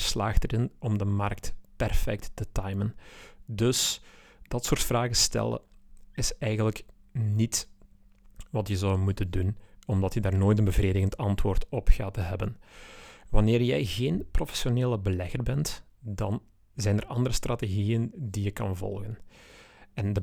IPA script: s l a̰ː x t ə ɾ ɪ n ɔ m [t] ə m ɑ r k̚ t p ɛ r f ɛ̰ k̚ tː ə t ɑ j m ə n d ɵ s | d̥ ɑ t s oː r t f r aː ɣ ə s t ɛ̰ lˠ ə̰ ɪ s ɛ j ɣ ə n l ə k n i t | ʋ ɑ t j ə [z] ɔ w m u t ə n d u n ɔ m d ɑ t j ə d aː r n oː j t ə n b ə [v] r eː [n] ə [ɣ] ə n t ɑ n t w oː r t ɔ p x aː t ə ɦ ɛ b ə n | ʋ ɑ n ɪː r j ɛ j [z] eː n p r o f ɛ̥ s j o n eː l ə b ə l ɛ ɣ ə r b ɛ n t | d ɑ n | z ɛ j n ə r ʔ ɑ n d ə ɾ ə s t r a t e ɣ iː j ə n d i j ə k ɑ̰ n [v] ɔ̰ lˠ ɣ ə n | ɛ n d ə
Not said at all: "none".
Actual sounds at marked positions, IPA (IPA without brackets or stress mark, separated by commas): d, z, v, d, ɣ, ɣ, v